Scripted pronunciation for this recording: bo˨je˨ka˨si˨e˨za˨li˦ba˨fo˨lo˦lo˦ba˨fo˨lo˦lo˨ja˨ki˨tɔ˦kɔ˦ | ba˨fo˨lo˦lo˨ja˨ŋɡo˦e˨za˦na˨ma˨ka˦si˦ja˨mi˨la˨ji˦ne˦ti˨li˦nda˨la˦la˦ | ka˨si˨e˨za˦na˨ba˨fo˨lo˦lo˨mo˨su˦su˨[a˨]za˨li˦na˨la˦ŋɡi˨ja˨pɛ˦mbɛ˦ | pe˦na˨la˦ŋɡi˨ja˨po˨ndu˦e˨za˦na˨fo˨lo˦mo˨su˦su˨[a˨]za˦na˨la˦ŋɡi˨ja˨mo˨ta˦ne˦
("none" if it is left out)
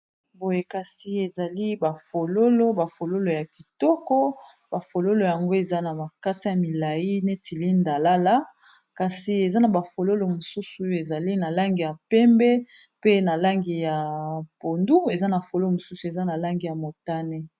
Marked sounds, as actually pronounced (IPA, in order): e˨, e˨

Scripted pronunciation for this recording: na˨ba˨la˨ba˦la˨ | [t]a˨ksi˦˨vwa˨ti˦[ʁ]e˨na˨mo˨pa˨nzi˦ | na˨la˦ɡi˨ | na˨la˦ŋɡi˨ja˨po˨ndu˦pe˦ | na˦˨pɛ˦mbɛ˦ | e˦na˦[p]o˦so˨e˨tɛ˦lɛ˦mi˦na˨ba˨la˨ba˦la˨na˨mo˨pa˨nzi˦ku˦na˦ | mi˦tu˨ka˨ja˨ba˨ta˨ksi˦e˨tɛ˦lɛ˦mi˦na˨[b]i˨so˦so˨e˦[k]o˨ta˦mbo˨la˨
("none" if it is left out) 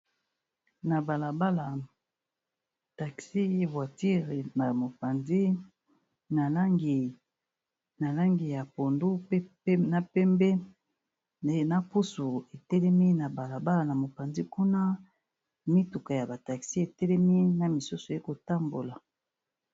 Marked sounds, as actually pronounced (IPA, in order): t, ʁ, p, m, k

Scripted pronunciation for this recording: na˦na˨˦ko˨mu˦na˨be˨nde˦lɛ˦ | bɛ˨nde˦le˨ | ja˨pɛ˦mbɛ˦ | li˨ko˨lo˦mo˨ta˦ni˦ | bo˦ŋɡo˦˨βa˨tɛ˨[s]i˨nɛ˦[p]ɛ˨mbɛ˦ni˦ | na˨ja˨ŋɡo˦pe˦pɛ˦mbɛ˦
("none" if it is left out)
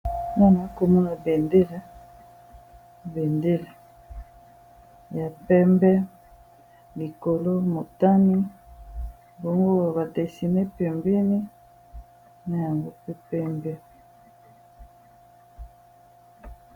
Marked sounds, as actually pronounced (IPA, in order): s, p

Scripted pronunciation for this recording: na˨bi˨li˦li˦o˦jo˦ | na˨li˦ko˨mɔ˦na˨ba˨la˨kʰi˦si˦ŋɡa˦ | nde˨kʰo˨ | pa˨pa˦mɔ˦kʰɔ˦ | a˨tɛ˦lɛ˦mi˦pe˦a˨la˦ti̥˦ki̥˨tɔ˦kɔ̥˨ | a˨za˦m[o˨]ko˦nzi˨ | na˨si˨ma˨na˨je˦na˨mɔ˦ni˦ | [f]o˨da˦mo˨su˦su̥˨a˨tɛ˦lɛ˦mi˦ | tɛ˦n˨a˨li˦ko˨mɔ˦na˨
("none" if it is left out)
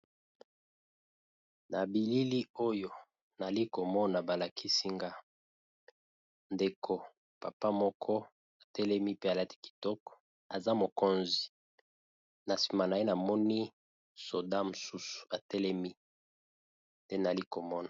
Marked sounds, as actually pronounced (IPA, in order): o˨, s

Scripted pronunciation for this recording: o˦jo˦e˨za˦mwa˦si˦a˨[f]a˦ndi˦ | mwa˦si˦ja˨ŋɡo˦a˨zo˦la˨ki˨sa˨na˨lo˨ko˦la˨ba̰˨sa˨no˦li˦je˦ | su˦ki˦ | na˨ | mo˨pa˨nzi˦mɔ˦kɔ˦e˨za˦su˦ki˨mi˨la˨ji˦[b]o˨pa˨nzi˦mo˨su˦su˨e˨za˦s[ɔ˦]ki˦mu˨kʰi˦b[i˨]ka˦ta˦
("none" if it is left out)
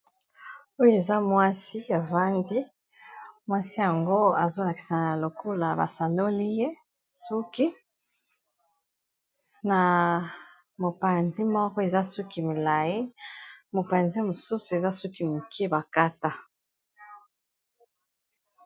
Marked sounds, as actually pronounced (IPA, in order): v, m, u˦, a˨

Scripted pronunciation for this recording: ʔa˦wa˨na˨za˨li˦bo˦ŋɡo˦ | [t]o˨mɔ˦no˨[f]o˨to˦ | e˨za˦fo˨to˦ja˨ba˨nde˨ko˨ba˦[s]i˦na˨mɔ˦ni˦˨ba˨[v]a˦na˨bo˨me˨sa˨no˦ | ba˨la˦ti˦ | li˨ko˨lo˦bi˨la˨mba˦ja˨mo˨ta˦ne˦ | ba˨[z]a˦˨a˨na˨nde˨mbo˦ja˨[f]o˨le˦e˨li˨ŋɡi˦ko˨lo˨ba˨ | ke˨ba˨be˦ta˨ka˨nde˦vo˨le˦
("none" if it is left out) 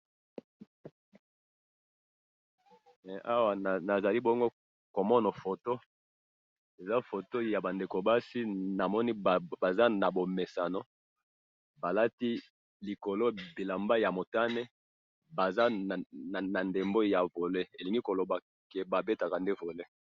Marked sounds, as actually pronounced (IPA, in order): k, f, s, z, z, v

